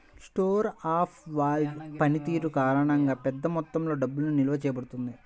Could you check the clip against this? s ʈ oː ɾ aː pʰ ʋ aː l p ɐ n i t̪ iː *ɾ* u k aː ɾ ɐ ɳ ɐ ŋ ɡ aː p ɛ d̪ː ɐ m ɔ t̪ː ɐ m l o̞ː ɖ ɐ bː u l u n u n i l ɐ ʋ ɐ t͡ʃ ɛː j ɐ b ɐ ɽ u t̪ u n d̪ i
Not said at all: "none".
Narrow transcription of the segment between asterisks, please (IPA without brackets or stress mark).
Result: ɾ